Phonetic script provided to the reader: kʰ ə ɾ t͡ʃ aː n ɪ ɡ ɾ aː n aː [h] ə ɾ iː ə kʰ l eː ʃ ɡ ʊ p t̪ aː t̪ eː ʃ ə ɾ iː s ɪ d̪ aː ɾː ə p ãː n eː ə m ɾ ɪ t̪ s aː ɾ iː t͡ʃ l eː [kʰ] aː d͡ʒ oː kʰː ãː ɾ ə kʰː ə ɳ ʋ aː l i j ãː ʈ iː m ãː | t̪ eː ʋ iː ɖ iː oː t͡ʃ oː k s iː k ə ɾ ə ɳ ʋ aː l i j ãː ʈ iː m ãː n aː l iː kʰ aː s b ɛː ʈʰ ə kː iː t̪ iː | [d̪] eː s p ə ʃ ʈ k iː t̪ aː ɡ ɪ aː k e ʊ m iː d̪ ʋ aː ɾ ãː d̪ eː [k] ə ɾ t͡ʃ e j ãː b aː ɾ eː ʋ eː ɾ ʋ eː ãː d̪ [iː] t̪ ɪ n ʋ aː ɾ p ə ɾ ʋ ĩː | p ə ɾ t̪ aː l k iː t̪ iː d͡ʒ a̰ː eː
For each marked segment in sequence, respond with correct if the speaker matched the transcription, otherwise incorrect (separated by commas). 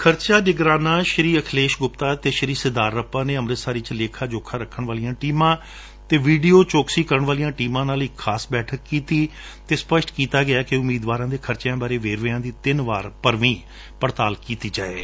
incorrect, correct, incorrect, incorrect, correct